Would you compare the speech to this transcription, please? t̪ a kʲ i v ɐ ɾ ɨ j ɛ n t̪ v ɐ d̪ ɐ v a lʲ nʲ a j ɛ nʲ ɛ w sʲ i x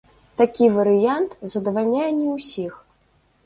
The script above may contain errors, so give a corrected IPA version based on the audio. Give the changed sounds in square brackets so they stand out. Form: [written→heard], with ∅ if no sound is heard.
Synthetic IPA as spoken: t̪ a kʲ i v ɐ ɾ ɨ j [ɛ→a] n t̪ [v→z] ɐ d̪ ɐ v a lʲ nʲ a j ɛ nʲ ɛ w sʲ i x